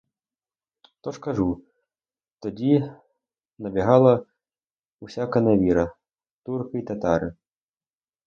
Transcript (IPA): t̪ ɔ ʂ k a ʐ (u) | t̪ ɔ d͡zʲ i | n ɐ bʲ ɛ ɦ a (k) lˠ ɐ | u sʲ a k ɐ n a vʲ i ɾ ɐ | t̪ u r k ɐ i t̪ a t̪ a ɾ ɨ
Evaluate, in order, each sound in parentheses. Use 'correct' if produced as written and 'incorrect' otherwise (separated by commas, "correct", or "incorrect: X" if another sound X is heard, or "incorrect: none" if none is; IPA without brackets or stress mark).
correct, incorrect: none